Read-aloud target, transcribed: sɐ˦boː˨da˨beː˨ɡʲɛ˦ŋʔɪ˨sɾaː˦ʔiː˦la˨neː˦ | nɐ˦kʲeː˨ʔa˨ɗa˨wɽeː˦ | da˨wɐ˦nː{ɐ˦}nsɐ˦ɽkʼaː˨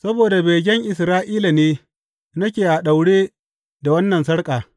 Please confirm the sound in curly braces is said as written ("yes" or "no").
no